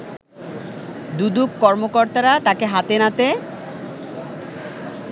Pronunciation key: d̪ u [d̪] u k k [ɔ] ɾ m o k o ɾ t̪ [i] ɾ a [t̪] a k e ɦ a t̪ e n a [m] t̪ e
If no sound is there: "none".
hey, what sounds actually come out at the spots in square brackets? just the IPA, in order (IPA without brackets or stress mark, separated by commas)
d̪, ɔ, a, t̪, none